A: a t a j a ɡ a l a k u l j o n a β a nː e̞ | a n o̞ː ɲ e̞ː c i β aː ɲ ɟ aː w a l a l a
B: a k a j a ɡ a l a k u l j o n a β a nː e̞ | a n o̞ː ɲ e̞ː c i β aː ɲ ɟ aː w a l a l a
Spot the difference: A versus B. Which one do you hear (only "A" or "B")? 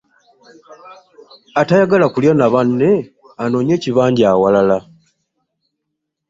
A